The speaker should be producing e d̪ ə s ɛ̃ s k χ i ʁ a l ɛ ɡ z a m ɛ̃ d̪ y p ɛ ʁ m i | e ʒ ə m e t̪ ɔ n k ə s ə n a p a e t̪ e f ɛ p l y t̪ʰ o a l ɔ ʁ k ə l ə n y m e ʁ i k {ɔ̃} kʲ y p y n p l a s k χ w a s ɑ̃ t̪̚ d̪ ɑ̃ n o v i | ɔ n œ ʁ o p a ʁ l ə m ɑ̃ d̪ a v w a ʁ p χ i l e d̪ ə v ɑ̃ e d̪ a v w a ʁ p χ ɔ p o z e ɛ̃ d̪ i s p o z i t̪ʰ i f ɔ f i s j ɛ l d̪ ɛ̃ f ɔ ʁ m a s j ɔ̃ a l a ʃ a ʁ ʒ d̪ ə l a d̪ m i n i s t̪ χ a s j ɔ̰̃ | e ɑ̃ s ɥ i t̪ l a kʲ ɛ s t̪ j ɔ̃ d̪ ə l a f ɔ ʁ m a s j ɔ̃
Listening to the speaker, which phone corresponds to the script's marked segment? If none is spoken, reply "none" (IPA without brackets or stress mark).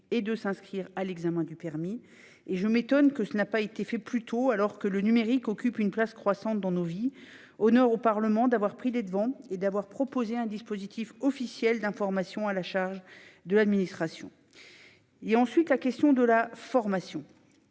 ɔ